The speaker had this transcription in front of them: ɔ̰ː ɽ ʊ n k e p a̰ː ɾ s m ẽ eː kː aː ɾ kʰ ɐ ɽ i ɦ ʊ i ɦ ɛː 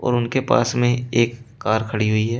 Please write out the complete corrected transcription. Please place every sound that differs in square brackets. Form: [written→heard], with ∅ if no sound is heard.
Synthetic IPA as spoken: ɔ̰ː [ɽ→ɾ] ʊ n k e p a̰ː [ɾ→∅] s m ẽ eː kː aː ɾ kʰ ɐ ɽ i ɦ ʊ i ɦ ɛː